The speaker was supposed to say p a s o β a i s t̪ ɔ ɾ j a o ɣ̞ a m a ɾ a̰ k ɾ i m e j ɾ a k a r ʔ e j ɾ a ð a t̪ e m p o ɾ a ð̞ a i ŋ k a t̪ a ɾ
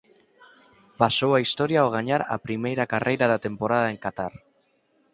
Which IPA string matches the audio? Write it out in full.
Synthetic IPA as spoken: p a s o w a i s t̪ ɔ ɾ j a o ɣ̞ a ɲ a ɾ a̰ p ɾ i m e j ɾ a k a r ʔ e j ɾ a ð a t̪ e m p o ɾ a ð̞ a e ŋ k a t̪ a ɾ